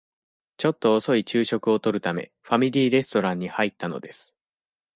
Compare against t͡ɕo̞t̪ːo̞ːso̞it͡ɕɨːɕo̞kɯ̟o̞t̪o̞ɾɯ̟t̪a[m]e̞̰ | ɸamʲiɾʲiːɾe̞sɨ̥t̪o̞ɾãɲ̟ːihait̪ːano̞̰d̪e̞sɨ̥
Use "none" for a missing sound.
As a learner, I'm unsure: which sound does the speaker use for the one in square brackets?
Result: m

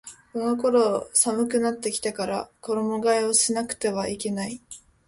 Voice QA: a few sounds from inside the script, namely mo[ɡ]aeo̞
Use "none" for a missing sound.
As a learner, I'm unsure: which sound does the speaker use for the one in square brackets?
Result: ɡ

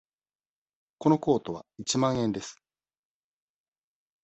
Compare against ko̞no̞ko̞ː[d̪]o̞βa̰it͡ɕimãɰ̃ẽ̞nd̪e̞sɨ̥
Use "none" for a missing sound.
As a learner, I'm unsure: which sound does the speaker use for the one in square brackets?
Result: t̪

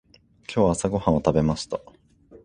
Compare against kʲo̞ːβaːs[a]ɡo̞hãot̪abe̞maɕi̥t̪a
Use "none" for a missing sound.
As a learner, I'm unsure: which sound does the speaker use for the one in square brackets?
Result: a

